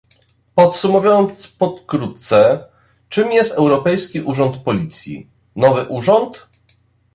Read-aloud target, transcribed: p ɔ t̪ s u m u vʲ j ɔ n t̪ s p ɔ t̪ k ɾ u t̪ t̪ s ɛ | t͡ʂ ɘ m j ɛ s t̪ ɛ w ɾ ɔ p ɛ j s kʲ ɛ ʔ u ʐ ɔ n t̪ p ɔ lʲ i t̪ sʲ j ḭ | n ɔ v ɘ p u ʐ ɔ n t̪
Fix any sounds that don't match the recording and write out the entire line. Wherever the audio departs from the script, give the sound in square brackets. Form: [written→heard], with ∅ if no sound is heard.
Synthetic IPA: p ɔ t̪ s u m u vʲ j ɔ n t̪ s p ɔ t̪ k ɾ u t̪ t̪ s ɛ | t͡ʂ ɘ m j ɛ s t̪ ɛ w ɾ ɔ p ɛ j s kʲ [ɛ→i] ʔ u ʐ ɔ n t̪ p ɔ lʲ i t̪ sʲ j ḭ | n ɔ v ɘ [p→ʔ] u ʐ ɔ n t̪